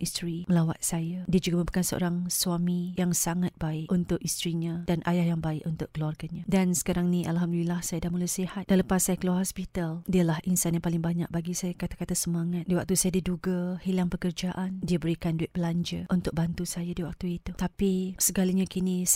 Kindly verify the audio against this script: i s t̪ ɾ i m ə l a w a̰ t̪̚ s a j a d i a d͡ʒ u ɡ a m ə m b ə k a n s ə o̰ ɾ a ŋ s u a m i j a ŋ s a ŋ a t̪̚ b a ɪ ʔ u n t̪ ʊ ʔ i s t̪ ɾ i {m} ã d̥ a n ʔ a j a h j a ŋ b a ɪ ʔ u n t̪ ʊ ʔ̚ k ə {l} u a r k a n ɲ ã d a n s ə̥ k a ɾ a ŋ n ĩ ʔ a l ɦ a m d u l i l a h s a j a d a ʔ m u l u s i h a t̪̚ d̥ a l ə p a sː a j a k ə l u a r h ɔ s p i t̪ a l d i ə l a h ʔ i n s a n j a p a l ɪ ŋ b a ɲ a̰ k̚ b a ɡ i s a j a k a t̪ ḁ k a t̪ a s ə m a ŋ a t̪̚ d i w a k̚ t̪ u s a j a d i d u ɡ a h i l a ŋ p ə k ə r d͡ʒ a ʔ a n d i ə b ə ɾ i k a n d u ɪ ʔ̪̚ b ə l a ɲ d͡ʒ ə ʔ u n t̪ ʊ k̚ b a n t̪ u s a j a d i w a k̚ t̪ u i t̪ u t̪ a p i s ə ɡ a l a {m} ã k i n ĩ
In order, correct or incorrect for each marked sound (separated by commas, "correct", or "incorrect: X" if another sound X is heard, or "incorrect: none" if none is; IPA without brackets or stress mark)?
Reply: incorrect: ɲ, correct, incorrect: ɲ